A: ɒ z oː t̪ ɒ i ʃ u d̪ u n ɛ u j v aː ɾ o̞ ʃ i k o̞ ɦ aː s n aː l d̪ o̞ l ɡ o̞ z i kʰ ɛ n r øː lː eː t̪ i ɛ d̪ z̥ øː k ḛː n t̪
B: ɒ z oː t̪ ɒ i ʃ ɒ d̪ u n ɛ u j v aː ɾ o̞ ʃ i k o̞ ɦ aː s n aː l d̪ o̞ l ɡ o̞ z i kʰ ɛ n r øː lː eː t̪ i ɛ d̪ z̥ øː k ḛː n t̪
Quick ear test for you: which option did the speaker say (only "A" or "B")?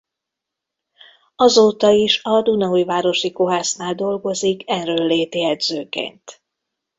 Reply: B